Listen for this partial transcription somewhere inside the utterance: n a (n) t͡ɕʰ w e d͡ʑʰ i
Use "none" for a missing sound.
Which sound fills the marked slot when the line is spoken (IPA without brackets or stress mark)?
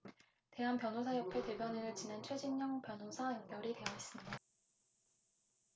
n